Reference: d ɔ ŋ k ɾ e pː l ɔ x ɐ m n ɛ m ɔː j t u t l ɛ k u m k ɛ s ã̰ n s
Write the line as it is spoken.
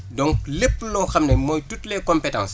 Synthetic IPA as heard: d ɔ ŋ k l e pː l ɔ x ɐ m n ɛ m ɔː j t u t l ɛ k ɔ m p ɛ t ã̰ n s